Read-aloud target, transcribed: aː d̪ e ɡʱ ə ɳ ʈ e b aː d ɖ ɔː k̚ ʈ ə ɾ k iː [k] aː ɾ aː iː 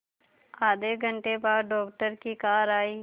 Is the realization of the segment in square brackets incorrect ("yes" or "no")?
no